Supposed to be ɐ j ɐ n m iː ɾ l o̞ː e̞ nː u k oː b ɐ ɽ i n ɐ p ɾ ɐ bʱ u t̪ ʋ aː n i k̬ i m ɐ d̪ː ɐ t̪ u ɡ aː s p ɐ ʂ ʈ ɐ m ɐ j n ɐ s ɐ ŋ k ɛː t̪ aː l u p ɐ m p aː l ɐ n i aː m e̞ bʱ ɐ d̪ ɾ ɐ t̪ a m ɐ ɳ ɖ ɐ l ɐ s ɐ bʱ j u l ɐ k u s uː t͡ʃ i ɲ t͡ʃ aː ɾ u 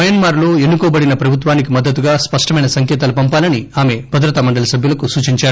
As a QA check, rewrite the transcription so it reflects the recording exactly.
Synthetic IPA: ɐ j ɐ n m aː ɾ l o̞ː e̞ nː u k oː b ɐ ɽ i n ɐ p ɾ ɐ bʱ u t̪ ʋ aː n i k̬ i m ɐ d̪ː ɐ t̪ u ɡ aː s p ɐ ʂ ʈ ɐ m ɐ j n ɐ s ɐ ŋ k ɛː t̪ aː l u p ɐ m p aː l ɐ n i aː m e̞ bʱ ɐ d̪ ɾ ɐ t̪ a m ɐ ɳ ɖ ɐ l ɐ s ɐ bʱ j u l ɐ k u s uː t͡ʃ i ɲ t͡ʃ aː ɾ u